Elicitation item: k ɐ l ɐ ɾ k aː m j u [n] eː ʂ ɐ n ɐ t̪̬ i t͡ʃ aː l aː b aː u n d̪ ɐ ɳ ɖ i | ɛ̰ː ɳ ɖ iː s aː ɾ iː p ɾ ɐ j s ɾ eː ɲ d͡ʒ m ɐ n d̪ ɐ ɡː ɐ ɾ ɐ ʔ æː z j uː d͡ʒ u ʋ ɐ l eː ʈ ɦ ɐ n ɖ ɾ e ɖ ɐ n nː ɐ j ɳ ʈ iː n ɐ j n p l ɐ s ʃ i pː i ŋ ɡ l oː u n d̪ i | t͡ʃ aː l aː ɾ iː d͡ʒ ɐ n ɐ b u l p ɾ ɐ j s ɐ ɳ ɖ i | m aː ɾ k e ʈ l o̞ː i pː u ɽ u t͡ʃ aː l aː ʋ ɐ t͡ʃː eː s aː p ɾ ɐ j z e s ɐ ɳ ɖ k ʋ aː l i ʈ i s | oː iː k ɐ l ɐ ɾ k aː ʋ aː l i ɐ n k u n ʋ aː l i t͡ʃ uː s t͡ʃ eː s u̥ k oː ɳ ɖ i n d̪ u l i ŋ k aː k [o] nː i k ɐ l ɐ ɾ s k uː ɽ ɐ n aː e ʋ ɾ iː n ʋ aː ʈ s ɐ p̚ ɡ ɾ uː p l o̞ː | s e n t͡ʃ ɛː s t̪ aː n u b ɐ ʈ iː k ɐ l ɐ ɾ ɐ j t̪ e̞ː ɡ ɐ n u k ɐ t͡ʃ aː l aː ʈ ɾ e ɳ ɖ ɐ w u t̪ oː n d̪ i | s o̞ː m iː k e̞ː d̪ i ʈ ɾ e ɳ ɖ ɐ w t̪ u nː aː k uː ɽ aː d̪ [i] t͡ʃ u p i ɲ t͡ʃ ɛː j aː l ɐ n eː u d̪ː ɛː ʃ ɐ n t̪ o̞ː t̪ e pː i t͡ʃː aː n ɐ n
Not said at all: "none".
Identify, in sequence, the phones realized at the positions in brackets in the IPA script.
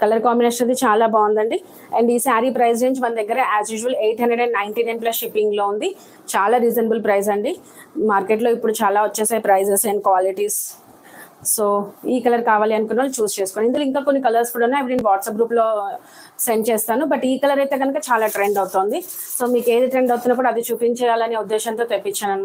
n, o, i

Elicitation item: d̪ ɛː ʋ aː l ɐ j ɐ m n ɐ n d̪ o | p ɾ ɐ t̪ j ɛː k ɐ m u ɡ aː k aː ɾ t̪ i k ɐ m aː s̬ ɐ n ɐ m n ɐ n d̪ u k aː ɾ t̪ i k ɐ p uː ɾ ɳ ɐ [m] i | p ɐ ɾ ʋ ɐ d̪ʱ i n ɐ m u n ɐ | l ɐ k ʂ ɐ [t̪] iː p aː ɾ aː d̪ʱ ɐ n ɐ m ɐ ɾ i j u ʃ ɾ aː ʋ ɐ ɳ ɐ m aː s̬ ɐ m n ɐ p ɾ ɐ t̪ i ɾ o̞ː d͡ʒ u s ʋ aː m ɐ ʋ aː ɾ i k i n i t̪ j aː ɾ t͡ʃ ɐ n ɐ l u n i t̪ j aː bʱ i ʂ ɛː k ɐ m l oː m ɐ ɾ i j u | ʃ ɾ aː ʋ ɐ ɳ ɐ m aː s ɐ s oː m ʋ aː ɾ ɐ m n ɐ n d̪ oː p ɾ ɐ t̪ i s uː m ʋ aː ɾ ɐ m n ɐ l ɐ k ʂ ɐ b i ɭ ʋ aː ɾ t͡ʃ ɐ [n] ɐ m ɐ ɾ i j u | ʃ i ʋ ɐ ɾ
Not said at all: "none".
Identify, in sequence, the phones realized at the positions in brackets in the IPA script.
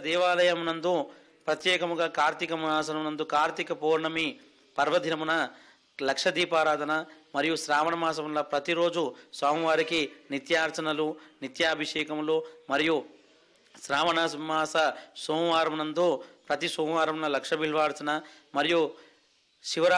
m, d̪, n

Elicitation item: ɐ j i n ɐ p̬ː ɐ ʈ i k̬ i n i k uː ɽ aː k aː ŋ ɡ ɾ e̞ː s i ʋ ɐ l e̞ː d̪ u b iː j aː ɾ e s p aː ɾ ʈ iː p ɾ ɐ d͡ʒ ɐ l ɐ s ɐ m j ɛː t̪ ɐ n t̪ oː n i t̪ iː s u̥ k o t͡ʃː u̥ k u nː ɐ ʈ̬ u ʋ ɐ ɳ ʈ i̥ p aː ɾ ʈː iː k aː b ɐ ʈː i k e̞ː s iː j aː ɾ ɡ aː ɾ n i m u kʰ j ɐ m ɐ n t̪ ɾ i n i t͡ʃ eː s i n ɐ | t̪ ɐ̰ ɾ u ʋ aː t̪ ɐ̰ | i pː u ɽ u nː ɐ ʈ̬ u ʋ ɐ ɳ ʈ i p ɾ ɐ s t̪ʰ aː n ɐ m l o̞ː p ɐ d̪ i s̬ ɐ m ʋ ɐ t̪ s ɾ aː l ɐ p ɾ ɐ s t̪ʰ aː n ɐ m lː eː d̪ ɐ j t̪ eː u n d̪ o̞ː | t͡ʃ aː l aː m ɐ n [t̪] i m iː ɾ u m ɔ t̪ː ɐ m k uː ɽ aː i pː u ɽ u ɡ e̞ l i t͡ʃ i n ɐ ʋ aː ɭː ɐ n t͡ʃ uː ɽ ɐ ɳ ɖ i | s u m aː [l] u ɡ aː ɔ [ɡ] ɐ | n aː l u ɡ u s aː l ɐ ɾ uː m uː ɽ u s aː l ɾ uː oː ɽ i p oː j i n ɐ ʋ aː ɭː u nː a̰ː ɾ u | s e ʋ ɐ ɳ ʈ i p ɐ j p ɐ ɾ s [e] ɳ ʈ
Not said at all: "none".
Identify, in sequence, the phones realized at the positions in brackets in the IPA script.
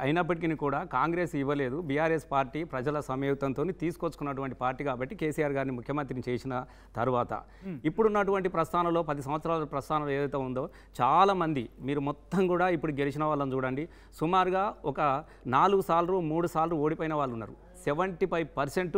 d̪, ɾ, k, e

